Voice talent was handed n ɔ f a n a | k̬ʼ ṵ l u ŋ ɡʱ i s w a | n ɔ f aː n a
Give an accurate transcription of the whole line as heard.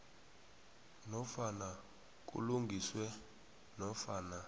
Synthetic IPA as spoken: n ɔ f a n a | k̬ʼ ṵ l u ŋ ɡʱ i s w ɛ | n ɔ f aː n a